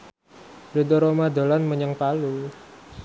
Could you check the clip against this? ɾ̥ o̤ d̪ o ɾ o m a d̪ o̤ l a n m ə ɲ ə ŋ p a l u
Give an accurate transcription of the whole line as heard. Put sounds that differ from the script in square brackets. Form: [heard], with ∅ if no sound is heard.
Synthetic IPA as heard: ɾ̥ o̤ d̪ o ɾ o m a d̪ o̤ l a n m ə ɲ ə ŋ p a l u